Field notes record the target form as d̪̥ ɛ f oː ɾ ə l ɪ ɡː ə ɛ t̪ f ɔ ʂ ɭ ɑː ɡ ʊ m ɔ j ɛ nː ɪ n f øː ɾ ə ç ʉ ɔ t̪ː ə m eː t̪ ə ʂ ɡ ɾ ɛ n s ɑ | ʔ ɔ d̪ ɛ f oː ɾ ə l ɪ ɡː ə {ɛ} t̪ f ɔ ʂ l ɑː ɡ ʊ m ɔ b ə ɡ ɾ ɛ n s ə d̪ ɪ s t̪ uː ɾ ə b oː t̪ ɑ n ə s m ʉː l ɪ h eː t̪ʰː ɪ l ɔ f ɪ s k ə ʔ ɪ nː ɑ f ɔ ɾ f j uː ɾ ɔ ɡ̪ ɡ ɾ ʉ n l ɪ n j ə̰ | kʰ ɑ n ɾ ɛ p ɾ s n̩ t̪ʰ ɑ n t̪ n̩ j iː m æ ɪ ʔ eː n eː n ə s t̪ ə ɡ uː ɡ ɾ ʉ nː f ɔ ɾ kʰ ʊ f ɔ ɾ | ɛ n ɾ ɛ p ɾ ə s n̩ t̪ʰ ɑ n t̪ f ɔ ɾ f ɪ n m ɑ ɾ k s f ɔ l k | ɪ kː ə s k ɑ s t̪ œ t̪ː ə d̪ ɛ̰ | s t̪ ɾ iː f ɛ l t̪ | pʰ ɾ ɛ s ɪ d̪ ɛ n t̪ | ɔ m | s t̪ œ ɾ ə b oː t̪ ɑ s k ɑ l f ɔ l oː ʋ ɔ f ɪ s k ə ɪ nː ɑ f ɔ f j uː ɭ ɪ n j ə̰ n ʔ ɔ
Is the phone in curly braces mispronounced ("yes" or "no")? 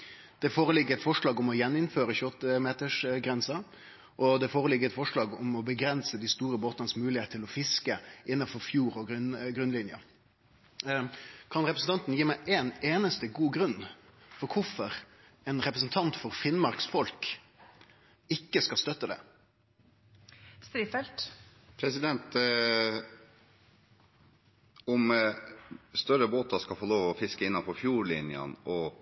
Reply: no